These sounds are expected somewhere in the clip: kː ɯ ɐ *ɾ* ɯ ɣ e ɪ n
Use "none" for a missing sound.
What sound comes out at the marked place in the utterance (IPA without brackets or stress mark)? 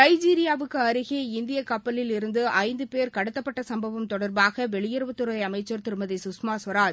ɾ